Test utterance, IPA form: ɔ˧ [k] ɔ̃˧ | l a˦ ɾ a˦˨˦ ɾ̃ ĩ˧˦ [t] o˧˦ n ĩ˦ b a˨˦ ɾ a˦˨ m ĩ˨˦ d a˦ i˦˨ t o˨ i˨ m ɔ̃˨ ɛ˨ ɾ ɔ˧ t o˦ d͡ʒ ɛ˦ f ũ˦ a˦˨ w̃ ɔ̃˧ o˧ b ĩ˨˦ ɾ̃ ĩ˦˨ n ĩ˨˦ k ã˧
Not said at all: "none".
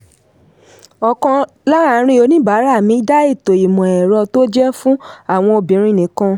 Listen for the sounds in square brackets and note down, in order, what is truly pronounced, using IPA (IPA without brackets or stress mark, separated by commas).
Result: k, none